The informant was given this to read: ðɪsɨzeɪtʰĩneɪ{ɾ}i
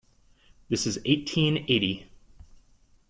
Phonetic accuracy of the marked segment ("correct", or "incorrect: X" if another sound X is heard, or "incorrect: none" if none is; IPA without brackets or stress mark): correct